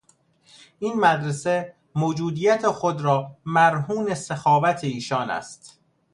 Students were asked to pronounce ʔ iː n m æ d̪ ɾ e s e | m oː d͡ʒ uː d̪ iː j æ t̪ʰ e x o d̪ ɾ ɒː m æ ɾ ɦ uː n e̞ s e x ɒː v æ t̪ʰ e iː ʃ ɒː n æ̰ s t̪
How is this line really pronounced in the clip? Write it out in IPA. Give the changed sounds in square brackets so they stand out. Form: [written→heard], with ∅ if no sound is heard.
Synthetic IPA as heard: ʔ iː n m æ d̪ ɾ e s e | m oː d͡ʒ uː d̪ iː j æ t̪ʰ e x o d̪ ɾ ɒː m æ ɾ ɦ uː n e̞ s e x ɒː v æ t̪ʰ e iː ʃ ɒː n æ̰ s t̪